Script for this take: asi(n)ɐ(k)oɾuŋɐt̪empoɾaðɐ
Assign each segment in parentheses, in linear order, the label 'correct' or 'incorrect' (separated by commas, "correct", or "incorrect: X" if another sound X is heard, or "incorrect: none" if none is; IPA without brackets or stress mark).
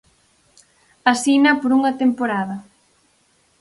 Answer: correct, incorrect: p